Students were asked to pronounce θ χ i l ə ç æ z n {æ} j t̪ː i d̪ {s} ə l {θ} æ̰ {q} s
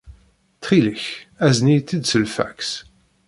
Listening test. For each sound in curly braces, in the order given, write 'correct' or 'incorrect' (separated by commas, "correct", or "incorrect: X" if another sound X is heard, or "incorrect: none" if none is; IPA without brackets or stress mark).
incorrect: i, correct, incorrect: f, incorrect: k